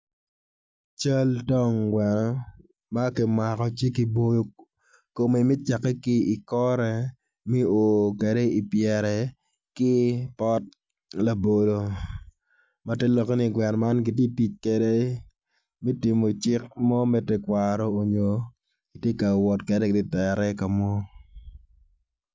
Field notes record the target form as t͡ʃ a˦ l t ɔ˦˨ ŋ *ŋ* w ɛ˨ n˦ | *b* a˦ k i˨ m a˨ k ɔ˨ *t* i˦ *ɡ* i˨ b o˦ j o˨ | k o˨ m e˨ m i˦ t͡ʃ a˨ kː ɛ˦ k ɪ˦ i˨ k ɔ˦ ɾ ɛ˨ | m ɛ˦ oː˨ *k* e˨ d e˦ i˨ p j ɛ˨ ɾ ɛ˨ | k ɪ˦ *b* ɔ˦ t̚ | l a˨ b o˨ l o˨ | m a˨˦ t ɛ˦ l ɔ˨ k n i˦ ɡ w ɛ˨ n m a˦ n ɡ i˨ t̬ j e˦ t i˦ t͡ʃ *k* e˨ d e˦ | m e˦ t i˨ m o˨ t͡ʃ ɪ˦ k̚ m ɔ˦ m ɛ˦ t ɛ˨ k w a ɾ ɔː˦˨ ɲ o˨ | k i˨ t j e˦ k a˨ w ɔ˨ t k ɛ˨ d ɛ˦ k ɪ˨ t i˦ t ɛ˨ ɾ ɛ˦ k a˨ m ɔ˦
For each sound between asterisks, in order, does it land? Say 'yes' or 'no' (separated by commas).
no, no, no, no, yes, no, yes